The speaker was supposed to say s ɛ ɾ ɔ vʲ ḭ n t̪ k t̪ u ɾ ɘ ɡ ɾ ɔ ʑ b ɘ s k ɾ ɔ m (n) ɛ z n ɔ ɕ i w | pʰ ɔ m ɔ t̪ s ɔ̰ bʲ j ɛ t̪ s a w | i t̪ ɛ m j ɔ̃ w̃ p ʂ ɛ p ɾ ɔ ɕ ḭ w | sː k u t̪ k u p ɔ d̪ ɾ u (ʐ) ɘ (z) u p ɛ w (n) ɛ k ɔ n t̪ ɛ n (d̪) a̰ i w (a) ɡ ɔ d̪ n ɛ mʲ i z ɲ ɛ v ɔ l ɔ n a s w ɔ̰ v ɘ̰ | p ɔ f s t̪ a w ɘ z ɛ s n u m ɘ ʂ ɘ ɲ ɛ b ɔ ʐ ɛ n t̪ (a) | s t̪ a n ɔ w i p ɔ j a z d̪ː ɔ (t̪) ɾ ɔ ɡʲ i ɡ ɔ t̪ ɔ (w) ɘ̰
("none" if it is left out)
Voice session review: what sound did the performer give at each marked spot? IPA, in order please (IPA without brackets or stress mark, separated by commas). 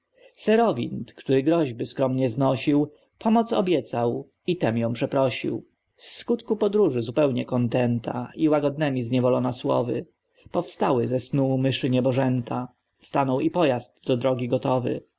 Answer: ɲ, ʐ, z, ɲ, t̪, a, a, d̪, v